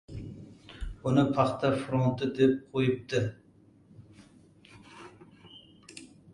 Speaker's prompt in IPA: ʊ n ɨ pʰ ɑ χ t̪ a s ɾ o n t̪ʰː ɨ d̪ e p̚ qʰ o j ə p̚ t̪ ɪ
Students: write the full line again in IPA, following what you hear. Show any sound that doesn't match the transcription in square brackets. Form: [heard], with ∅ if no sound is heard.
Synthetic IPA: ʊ n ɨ pʰ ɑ χ t̪ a [f] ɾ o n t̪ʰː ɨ d̪ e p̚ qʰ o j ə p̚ t̪ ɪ